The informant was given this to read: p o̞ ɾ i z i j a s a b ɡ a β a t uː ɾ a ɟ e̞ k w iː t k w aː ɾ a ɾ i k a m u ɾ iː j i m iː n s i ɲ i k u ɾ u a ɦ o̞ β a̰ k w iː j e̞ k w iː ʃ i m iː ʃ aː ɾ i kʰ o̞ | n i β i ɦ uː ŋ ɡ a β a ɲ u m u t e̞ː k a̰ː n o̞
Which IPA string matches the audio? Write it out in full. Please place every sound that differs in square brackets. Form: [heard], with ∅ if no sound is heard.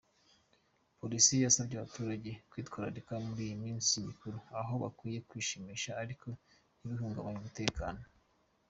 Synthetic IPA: p o̞ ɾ i [s] i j a s a b [ɟ] a β a t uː ɾ a ɟ e̞ k w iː t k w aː ɾ a ɾ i k a m u ɾ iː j i m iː n s i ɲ i k u ɾ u a ɦ o̞ β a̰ k w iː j e̞ k w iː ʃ i m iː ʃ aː ɾ i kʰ o̞ | n i β i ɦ uː ŋ ɡ a β a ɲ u m u t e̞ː k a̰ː n o̞

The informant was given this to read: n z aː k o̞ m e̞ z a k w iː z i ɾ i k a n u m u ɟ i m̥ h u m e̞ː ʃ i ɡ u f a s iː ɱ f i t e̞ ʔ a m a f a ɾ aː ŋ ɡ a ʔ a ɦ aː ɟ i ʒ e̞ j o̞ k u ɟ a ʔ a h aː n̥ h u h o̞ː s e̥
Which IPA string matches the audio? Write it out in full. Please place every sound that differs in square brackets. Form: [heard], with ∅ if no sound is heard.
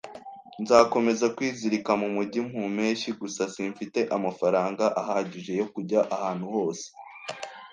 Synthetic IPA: n z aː k o̞ m e̞ z a k w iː z i ɾ i k a [m] u m u ɟ i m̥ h u m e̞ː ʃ i ɡ u [s] a s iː ɱ f i t e̞ ʔ a m a f a ɾ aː ŋ ɡ a ʔ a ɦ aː ɟ i ʒ e̞ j o̞ k u ɟ a ʔ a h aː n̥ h u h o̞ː s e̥

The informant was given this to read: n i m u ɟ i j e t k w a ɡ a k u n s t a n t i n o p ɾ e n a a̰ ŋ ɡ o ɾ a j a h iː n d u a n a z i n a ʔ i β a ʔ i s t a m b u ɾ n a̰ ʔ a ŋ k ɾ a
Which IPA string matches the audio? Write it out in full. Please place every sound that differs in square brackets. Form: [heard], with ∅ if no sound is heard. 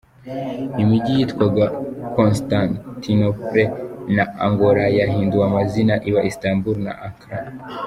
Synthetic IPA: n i m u ɟ i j [i] t k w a ɡ a k [o] n s t a n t i n o p ɾ e n a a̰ ŋ ɡ o ɾ a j a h iː n d u a [m] a z i n a ʔ i β a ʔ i s t a m b u ɾ n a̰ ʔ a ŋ k ɾ a

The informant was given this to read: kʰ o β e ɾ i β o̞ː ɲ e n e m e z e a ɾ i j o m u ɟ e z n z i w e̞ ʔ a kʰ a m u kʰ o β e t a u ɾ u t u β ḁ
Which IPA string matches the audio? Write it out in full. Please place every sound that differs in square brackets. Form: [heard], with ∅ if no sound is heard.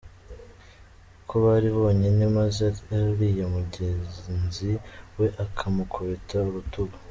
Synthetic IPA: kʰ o β [a] ɾ i β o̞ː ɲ e n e m [a] z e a ɾ i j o m u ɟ e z n z i w e̞ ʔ a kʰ a m u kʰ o β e t a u ɾ u t u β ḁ

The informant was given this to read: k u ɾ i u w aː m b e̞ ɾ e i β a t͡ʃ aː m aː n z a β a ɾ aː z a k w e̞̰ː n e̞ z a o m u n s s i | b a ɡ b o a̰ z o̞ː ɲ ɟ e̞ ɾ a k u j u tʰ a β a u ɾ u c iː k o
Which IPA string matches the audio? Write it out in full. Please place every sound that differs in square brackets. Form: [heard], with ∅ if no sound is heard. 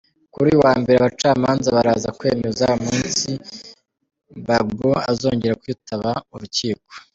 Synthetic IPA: k u ɾ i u w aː m b e̞ ɾ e [a] β a t͡ʃ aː m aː n z a β a ɾ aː z a k w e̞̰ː [m] e̞ z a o m [uː] n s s i | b a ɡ b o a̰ z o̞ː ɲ ɟ e̞ ɾ a k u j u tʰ a β a u ɾ u c iː k o

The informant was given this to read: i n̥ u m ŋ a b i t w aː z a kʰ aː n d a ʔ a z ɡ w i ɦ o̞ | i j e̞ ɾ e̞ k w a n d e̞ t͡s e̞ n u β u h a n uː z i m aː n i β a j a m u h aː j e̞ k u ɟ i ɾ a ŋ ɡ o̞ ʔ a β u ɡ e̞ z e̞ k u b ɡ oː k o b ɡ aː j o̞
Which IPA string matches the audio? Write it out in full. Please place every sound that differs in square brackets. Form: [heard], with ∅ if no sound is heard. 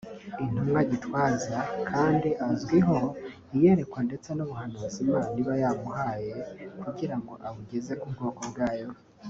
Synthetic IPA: i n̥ u m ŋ a [ɟ] i t w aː z a kʰ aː n d [i] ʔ a z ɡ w i ɦ o̞ | i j e̞ ɾ e̞ k w a n d e̞ t͡s e̞ n u β u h a n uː z i m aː n i β a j a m u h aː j e̞ k u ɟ i ɾ a ŋ ɡ o̞ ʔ a β u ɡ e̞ z e̞ k u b ɡ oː k o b ɡ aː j o̞

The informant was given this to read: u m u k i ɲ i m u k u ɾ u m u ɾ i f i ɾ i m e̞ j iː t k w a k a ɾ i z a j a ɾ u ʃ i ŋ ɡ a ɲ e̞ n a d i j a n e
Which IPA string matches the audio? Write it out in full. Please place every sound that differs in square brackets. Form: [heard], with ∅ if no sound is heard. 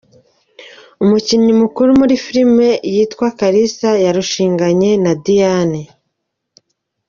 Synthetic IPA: u m u [c] i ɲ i m u k u ɾ u m u ɾ i f i ɾ i m e̞ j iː t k w a k a ɾ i [s] a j a ɾ u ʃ [iː] ŋ ɡ a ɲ e̞ n a d i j a n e

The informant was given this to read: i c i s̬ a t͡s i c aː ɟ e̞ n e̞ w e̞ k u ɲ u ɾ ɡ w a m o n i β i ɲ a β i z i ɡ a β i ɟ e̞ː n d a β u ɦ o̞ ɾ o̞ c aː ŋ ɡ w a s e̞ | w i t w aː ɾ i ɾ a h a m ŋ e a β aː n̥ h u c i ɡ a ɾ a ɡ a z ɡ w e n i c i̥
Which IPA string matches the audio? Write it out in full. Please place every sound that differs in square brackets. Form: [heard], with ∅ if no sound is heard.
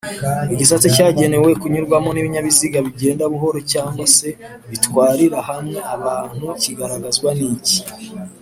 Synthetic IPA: i [ɟ] i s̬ a t͡s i c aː ɟ e̞ n e̞ w e̞ k u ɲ u ɾ ɡ w a m o n i β i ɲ a β i z i ɡ a β i ɟ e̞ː n d a β u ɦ o̞ ɾ o̞ c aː ŋ ɡ w a s e̞ | [β] i t w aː ɾ i ɾ a h a m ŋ e a β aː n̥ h u c i ɡ a ɾ a ɡ a z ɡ w [a] n i c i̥

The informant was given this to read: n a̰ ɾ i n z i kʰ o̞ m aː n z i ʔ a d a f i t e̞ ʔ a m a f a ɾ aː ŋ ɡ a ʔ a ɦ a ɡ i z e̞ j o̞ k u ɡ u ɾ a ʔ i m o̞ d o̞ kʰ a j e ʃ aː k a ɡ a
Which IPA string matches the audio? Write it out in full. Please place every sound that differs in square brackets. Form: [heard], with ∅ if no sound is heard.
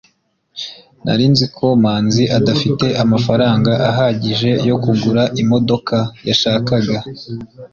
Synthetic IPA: n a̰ ɾ i n z i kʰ o̞ m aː n z i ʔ a d a f i t e̞ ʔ a m a f a ɾ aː ŋ ɡ a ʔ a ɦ a [ɟ] i [ʒ] e̞ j o̞ k u ɡ u ɾ a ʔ i m o̞ d o̞ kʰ a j [a] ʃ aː k a ɡ a

